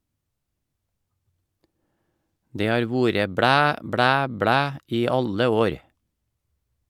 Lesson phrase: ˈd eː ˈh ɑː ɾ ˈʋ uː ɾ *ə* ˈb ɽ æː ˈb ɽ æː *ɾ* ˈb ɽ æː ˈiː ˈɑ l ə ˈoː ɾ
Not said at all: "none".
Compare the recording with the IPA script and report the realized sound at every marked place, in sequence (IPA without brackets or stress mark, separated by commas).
ə, none